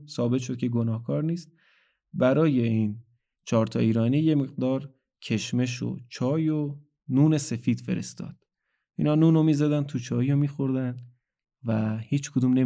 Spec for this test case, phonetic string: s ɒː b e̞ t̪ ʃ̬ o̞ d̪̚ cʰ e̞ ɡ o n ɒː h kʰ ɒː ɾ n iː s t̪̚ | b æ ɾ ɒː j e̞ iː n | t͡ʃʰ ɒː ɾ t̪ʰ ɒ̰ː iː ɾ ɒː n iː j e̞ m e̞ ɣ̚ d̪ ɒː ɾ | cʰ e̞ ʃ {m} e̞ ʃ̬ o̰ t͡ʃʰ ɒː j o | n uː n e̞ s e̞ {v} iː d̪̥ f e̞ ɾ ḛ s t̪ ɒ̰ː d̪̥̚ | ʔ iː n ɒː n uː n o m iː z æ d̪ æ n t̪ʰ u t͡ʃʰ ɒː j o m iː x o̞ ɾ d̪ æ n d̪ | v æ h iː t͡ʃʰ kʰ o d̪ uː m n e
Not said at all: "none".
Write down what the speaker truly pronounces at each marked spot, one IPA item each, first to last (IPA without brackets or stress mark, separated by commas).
m, f